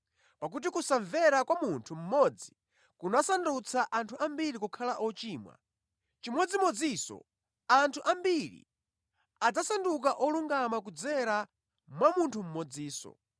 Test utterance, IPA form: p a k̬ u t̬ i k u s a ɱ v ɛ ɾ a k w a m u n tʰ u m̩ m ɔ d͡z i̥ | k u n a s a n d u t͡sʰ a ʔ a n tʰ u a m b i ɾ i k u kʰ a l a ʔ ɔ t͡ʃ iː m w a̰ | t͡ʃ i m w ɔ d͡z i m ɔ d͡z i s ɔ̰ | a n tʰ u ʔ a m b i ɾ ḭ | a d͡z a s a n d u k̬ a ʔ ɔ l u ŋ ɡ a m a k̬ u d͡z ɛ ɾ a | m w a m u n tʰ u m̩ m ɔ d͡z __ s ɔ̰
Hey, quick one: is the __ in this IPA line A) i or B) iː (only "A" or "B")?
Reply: B